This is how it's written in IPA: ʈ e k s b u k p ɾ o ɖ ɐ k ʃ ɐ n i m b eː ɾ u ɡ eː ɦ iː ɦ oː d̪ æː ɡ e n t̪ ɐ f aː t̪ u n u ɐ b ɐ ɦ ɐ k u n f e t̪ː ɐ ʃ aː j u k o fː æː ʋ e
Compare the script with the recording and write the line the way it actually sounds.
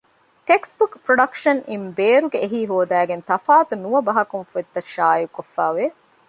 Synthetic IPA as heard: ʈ e k s b u k p ɾ o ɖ ɐ k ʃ ɐ n i m b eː ɾ u ɡ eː ɦ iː ɦ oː d̪ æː ɡ e n t̪ ɐ f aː t̪ u n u ɐ b ɐ ɦ ɐ k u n f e t̪ː ɐ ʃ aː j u k o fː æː ʋ e